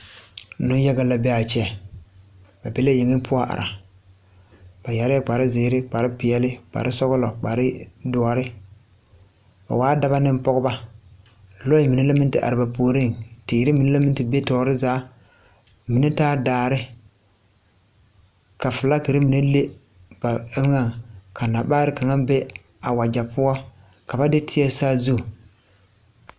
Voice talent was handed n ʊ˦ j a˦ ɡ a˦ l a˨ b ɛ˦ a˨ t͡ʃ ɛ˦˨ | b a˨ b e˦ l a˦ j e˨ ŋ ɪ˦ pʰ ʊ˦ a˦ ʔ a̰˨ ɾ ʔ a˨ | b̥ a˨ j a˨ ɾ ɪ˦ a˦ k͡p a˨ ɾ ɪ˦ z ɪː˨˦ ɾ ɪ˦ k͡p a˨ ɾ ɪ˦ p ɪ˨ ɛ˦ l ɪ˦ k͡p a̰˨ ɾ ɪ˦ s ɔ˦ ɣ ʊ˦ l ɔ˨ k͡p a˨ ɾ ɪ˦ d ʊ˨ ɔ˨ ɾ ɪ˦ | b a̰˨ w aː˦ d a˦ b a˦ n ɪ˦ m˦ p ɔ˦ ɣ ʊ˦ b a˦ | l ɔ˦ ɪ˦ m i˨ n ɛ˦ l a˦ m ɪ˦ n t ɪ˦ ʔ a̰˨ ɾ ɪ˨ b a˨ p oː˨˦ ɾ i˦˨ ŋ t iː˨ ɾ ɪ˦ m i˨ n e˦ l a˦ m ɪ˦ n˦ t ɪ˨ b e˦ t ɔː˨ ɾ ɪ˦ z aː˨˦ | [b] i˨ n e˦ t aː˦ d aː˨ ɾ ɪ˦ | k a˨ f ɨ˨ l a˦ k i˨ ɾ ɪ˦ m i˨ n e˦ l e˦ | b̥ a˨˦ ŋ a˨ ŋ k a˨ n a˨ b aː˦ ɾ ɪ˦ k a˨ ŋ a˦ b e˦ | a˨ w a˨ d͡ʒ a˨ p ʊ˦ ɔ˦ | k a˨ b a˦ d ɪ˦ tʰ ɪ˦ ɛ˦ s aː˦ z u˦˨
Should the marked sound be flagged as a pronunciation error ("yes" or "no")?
yes